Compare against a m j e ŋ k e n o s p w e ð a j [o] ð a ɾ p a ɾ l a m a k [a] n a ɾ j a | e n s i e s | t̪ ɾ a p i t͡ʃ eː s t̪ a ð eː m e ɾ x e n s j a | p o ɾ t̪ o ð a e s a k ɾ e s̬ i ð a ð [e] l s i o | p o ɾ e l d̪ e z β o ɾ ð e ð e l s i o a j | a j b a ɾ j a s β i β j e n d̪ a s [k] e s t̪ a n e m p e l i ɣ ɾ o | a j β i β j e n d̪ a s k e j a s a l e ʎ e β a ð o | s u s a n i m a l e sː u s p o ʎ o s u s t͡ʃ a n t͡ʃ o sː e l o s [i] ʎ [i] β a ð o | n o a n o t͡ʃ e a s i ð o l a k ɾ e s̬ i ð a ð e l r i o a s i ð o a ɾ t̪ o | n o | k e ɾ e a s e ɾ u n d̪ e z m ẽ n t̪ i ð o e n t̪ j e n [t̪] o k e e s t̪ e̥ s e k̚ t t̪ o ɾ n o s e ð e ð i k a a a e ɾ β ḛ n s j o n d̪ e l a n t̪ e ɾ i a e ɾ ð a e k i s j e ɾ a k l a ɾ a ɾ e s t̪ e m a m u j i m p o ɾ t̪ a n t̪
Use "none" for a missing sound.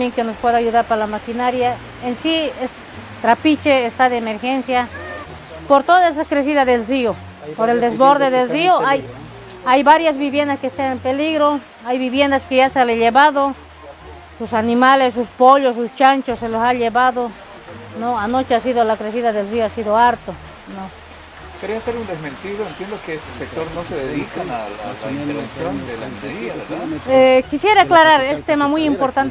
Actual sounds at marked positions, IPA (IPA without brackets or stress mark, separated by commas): u, i, e, k, a, e, d̪